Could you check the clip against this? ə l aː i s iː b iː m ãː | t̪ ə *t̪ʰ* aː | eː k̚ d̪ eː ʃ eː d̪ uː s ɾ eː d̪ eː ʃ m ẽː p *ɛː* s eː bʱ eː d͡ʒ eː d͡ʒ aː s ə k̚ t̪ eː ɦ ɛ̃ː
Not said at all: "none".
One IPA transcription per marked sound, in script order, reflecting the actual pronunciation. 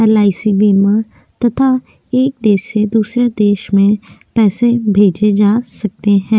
t̪ʰ, ɛː

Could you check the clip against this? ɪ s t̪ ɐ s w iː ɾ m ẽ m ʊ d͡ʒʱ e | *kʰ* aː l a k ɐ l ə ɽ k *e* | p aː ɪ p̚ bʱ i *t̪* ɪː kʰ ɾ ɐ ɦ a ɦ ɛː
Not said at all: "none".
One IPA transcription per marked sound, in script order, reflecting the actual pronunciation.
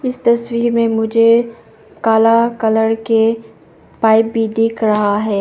k, e, d̪

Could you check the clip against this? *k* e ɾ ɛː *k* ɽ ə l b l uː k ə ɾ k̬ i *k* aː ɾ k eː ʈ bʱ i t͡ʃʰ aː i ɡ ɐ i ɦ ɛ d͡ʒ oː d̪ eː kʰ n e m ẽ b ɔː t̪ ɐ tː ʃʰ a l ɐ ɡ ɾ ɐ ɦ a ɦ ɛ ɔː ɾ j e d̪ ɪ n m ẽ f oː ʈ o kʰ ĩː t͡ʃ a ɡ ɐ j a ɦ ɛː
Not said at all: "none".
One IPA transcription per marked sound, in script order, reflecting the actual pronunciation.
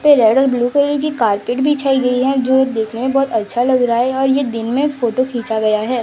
p, none, k

